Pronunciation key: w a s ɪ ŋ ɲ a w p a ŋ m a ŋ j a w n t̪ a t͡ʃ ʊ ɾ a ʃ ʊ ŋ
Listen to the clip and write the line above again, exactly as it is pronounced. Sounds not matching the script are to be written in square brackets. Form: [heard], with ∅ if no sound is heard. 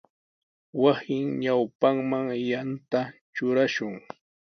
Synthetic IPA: w a s ɪ ŋ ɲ a w p a ŋ m a ŋ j a [∅] n t̪ a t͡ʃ ʊ ɾ a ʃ ʊ ŋ

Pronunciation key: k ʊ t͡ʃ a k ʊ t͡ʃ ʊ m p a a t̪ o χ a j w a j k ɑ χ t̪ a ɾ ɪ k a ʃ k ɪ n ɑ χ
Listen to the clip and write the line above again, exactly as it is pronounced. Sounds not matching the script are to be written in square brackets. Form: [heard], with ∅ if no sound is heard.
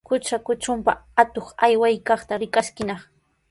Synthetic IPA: k ʊ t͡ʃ a k ʊ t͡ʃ ʊ m p a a t̪ o χ a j w a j k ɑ χ t̪ a ɾ ɪ k a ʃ k ɪ n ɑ χ

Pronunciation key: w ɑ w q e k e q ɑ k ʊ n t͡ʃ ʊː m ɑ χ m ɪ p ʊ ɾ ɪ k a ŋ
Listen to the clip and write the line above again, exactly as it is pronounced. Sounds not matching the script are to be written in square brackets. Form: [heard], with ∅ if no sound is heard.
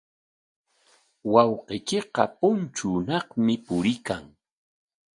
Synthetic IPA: w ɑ w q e k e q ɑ [p] ʊ n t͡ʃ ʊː [n] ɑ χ m ɪ p ʊ ɾ ɪ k a ŋ

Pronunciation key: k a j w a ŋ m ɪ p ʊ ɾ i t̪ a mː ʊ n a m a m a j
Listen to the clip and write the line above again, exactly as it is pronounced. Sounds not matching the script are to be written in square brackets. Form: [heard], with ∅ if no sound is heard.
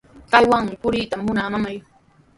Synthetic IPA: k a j w a ŋ m ɪ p ʊ ɾ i t̪ a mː ʊ n a m a m a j

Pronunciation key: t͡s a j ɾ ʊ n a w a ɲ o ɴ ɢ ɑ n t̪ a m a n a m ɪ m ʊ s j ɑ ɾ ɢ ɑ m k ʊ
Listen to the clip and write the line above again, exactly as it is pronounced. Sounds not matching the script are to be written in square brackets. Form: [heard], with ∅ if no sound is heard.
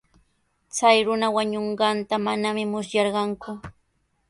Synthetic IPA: t͡s a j ɾ ʊ n a w a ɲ o ɴ ɢ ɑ n t̪ a m a n a m ɪ m ʊ s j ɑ ɾ ɢ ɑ [ŋ] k ʊ

